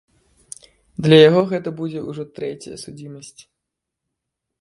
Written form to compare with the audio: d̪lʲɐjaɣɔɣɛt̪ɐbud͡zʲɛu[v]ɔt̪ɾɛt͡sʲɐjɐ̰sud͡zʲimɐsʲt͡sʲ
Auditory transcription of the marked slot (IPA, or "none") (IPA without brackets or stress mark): ʐ